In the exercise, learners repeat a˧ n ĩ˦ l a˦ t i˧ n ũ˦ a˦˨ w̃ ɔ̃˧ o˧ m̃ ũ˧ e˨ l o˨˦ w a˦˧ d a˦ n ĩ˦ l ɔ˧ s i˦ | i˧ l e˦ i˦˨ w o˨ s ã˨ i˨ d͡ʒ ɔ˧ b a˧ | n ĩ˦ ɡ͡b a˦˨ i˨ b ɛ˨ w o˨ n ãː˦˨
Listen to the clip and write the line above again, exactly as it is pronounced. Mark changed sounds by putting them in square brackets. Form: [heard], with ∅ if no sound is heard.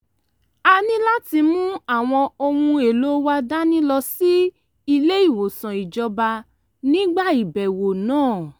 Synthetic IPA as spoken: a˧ n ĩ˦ l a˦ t i˧ [m] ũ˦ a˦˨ w̃ ɔ̃˧ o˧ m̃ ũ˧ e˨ l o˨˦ w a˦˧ d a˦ n ĩ˦ l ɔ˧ s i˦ | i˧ l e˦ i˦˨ w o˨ s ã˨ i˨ d͡ʒ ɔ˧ b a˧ | n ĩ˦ ɡ͡b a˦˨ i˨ b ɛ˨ w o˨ n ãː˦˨